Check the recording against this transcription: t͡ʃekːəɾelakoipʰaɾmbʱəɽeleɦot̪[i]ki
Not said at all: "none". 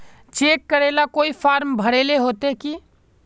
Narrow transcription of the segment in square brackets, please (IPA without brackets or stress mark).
e